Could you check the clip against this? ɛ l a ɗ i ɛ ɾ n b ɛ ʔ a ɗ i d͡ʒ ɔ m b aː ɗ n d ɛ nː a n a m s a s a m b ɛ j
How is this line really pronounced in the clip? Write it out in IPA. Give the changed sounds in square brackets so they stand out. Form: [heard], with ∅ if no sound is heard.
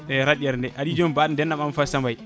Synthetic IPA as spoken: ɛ [ɾ] a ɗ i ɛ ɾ n [d] ɛ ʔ a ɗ i d͡ʒ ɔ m b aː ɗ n d ɛ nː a [m] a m [f] a s a m b [a] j